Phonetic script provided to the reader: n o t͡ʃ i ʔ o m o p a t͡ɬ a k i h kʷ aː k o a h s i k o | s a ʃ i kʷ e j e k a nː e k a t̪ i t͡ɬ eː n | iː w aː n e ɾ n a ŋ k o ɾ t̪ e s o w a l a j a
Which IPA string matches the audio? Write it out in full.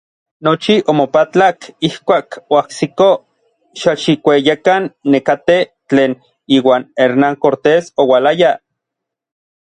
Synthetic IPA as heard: n o t͡ʃ i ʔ o m o p a t͡ɬ a k i h kʷ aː k o a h s i k o | ʃ a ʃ i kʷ e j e k a nː e k a t̪ e t͡ɬ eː n | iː w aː n e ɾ n a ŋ k o ɾ t̪ e s o w a l a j a